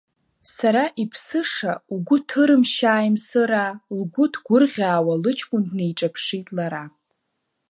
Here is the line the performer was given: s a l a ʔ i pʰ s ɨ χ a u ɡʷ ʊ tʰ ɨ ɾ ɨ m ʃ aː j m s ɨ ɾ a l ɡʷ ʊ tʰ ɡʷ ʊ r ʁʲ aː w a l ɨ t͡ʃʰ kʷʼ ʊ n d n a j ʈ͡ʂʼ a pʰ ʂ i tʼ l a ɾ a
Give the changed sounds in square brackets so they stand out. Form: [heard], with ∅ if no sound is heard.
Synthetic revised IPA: s a [ɾ] a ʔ i pʰ s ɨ [ʂ] a u ɡʷ ʊ tʰ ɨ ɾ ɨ m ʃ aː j m s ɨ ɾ a l ɡʷ ʊ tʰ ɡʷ ʊ r ʁʲ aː w a l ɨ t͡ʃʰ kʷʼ ʊ n d n [e] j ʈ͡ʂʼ a pʰ ʂ i tʼ l a ɾ a